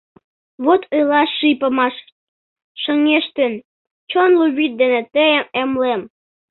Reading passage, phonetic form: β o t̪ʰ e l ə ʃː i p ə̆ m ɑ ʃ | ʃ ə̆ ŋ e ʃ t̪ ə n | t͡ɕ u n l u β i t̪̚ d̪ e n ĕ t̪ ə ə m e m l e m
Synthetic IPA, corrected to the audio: β o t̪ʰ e l ɑ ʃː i p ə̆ m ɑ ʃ | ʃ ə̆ ŋ e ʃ t̪ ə n | t͡ɕ o n l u β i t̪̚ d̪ e n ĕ t̪ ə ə m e m l e m